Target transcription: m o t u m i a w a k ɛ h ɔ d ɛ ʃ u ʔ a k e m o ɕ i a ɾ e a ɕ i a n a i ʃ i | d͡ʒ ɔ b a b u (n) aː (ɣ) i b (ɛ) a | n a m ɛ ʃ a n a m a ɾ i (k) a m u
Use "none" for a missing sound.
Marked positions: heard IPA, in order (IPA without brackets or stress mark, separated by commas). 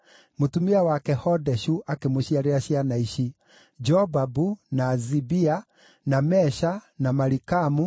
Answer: n, z, i, k